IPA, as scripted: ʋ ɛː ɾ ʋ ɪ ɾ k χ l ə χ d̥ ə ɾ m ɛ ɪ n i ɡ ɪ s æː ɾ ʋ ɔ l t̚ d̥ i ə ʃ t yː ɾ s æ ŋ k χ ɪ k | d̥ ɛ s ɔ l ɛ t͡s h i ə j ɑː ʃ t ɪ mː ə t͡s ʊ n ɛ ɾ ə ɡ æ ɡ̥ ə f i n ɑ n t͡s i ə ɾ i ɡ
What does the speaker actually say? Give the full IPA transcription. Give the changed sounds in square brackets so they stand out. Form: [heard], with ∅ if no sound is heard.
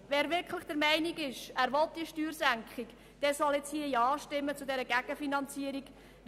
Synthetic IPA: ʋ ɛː ɾ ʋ ɪ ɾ k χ l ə χ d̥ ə ɾ m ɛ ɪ n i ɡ ɪ [ʃ] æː ɾ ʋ ɔ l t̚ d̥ i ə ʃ t yː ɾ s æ ŋ k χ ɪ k | d̥ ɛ s ɔ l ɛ t͡s h i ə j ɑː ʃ t ɪ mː ə t͡s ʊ [d] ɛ ɾ ə ɡ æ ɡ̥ ə f i n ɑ n t͡s i ə ɾ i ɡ